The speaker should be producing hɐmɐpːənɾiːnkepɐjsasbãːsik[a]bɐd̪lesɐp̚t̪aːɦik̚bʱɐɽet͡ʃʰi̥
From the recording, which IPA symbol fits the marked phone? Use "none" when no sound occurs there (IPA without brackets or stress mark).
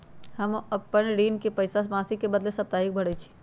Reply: e